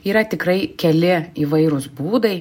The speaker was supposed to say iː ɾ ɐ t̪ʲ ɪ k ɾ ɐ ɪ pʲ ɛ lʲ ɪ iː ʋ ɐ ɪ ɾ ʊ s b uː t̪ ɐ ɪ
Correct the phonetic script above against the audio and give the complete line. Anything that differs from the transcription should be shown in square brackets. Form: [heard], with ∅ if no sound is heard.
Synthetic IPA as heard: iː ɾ ɐ t̪ʲ ɪ k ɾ ɐ ɪ [kʲ] ɛ lʲ ɪ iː ʋ ɐ ɪ ɾ ʊ s b uː [d̪] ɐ ɪ